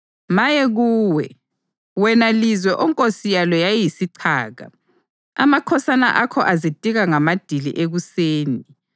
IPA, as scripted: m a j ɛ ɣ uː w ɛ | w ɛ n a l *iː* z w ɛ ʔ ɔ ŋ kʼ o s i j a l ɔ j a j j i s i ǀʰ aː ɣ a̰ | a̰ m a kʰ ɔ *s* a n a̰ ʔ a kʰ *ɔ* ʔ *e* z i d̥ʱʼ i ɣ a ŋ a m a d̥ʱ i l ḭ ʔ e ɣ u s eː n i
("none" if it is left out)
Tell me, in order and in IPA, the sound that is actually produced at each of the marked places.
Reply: i, s, ɔ, a

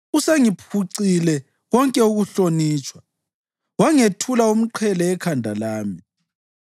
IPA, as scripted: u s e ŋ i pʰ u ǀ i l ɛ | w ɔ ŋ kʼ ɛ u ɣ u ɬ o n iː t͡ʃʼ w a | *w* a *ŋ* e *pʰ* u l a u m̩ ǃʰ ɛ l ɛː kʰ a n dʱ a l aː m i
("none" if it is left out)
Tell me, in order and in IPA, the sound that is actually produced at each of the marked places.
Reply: w, ŋ, tʰ

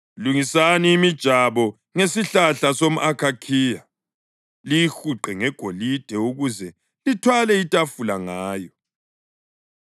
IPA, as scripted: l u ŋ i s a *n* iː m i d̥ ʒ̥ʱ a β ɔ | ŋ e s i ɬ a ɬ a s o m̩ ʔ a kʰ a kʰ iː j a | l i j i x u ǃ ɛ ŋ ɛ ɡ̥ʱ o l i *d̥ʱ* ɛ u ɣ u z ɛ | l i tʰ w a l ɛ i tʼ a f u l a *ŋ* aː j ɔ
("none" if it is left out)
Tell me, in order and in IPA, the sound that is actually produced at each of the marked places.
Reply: n, d̥ʱ, ŋ

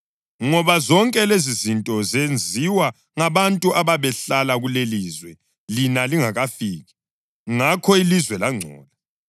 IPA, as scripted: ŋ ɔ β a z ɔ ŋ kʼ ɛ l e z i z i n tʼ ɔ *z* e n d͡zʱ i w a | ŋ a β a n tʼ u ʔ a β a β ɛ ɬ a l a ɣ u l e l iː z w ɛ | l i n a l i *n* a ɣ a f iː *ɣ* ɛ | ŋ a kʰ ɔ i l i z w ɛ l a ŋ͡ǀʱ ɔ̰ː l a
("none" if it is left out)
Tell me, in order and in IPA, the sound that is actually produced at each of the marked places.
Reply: z, ŋ, ɣ

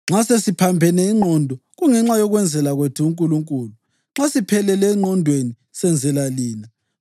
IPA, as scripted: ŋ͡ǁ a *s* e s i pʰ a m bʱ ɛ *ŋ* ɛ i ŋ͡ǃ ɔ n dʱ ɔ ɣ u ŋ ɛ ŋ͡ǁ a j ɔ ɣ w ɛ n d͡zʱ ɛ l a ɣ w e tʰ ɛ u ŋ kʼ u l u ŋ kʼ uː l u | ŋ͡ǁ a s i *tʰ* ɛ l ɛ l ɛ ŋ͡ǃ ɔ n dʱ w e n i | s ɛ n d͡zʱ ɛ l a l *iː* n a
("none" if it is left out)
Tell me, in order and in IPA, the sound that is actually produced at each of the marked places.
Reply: s, n, pʰ, iː

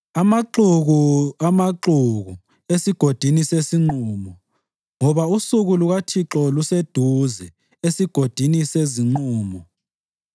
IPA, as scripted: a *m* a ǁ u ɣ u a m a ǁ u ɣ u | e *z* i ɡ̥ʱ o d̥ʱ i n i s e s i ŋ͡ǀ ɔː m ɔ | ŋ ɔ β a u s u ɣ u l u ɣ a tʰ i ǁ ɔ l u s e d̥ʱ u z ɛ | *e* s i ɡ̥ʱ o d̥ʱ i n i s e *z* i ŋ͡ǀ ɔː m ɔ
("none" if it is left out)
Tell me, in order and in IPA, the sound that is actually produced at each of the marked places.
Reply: m, s, e, z

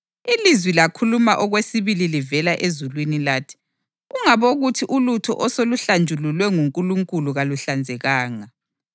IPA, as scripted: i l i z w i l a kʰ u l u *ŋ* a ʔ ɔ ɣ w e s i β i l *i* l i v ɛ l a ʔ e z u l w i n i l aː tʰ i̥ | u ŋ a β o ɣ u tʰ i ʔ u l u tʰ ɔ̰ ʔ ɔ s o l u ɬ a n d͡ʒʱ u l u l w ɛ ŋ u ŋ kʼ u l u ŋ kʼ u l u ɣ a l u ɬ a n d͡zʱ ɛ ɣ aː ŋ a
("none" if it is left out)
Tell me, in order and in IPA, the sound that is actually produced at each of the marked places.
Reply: m, i

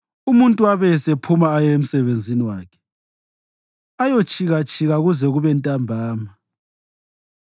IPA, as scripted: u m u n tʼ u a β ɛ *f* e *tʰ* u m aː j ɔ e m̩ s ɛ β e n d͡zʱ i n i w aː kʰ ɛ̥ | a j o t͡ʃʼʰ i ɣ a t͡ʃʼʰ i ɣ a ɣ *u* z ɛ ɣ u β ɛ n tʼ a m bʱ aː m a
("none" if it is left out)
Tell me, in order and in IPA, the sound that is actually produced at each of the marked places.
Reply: s, pʰ, u

